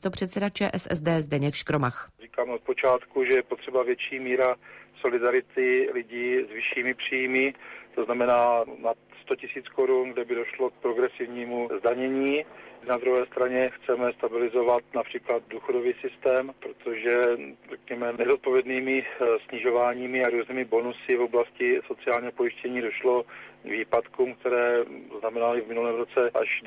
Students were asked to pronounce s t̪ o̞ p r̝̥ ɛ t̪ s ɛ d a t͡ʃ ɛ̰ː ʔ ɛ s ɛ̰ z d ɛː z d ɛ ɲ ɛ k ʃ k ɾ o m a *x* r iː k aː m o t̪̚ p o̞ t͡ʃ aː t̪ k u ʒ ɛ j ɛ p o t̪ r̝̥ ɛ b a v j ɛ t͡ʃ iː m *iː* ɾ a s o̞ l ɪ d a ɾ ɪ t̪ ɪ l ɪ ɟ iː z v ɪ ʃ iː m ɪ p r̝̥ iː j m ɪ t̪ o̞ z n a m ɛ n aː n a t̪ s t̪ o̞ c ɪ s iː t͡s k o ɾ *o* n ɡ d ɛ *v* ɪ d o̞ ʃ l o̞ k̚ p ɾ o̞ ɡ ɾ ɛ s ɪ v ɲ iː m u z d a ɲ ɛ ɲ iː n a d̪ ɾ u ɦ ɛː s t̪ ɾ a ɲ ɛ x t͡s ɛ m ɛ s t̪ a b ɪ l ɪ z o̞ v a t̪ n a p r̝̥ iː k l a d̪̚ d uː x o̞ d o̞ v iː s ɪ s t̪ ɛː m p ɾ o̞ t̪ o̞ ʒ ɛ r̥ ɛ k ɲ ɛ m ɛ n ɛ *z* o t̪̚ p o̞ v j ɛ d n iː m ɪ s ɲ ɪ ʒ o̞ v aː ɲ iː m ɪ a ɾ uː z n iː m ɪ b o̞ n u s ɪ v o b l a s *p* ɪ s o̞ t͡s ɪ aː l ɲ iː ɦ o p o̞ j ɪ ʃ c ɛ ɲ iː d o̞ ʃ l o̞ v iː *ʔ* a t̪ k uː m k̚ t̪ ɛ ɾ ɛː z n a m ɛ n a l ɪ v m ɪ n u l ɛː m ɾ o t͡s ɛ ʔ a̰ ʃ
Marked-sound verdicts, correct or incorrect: correct, correct, incorrect: u, incorrect: b, correct, incorrect: c, incorrect: p

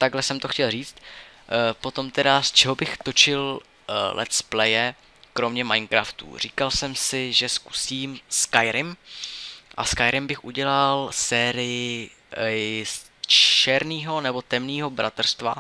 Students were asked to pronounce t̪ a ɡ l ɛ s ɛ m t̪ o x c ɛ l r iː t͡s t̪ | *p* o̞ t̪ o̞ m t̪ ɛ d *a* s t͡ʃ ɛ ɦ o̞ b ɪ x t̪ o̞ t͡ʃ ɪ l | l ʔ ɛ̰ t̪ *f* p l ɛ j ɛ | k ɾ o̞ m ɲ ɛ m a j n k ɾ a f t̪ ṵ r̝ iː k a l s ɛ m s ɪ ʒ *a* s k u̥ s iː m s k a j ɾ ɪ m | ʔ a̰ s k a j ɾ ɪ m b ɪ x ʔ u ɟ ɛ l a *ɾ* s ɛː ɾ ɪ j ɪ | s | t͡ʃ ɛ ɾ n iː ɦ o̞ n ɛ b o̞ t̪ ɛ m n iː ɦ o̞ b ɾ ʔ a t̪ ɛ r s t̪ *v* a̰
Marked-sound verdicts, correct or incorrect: correct, correct, incorrect: s, incorrect: ɛ, incorrect: l, correct

